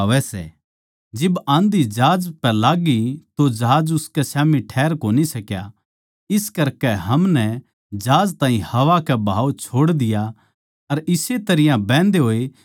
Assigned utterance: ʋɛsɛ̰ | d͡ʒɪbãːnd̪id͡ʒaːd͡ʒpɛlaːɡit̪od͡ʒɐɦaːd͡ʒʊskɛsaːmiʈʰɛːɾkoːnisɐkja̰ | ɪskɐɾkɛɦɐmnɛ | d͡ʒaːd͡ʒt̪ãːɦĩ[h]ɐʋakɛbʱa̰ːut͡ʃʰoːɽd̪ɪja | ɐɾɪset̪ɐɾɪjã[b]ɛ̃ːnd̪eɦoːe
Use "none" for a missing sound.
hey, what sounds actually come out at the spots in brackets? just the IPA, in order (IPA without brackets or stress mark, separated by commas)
h, b